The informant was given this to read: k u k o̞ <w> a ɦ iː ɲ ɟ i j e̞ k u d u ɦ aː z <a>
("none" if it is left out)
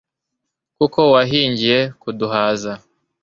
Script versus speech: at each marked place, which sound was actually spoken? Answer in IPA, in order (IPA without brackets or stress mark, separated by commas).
w, a